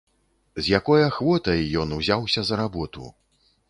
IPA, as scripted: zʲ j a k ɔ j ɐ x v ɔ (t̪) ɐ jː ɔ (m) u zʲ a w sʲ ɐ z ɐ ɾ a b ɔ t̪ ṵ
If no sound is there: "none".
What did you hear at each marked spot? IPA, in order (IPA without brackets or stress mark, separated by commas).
t̪, n